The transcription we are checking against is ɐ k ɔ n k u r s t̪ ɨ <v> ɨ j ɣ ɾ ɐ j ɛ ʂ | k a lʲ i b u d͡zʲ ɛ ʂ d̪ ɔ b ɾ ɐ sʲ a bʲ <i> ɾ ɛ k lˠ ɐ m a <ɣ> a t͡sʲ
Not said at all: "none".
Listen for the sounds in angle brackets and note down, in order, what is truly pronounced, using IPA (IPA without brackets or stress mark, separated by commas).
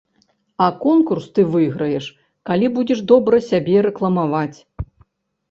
v, ɛ, v